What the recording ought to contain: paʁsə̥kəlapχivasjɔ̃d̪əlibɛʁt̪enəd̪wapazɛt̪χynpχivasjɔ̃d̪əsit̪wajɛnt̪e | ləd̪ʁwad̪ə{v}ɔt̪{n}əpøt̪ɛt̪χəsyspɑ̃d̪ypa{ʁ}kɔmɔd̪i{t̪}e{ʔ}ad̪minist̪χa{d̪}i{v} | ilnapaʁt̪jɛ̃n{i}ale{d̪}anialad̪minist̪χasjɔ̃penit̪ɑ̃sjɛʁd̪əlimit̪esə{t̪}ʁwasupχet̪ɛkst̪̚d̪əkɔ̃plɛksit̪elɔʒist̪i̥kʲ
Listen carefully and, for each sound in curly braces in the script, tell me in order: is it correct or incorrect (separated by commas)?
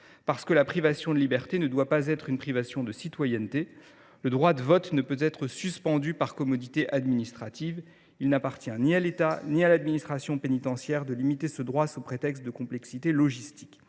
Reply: correct, correct, correct, correct, correct, incorrect, correct, correct, incorrect, incorrect